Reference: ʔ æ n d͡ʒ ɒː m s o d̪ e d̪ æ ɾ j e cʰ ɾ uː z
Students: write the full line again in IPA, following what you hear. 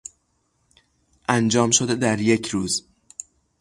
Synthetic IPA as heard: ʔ æ n d͡ʒ ɒː m ʃ o d̪ e d̪ æ ɾ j e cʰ ɾ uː z